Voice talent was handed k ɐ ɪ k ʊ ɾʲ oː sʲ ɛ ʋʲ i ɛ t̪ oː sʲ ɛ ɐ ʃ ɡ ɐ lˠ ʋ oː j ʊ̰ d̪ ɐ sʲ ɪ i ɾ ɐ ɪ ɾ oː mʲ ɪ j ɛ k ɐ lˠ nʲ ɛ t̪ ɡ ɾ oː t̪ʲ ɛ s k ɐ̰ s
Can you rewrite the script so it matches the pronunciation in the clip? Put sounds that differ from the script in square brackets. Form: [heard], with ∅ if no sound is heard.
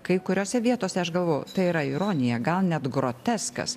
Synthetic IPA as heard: k ɐ ɪ k ʊ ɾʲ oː sʲ ɛ ʋʲ i ɛ t̪ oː sʲ ɛ ɐ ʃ ɡ ɐ lˠ ʋ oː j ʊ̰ [t̪] ɐ [∅] ɪ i ɾ ɐ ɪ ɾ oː [nʲ] ɪ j ɛ [ɡ] ɐ lˠ nʲ ɛ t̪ ɡ ɾ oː t̪ʲ ɛ s k ɐ̰ s